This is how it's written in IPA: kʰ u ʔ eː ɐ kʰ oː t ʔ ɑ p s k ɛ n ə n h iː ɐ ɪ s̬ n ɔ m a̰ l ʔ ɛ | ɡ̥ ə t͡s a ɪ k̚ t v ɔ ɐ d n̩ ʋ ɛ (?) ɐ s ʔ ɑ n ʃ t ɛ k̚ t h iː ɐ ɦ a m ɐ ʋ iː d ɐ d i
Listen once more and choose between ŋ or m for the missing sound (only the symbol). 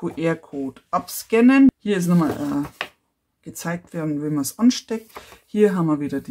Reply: m